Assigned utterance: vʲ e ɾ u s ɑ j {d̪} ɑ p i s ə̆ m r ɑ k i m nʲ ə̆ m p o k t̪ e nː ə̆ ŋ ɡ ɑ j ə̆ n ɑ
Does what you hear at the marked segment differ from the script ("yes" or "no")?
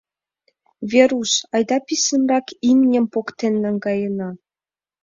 no